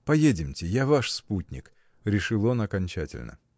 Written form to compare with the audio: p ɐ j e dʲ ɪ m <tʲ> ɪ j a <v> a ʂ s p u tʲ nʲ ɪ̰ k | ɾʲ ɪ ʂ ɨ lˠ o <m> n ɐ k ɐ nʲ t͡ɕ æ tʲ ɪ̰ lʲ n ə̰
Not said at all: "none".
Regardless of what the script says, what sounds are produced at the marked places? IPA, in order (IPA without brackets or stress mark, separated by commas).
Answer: tʲ, v, none